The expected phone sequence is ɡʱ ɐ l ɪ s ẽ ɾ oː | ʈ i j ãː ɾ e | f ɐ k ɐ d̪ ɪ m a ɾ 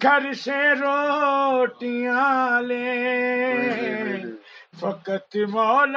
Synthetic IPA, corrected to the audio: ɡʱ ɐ ɾ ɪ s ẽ ɾ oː | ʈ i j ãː l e | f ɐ k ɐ t̪ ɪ m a l